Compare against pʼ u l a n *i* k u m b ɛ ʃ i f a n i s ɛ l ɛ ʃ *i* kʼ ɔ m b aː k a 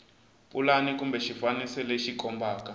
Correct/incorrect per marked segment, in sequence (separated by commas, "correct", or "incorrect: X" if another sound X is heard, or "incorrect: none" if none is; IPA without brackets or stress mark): correct, correct